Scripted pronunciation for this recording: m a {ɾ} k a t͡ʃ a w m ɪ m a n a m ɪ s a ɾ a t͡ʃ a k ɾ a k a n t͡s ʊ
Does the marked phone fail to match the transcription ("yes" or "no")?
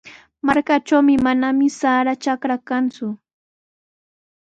no